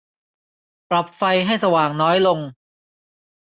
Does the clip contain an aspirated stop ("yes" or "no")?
no